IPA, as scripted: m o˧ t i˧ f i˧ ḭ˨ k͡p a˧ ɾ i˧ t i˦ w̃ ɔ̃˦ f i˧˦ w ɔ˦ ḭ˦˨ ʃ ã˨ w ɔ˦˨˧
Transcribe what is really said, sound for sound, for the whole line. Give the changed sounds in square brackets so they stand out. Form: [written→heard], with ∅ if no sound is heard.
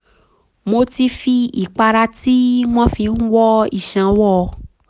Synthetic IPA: m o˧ t i˧ f i˧ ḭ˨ k͡p a˧ ɾ [i˧→a˧] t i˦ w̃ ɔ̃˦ f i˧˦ w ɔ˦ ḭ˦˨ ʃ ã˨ w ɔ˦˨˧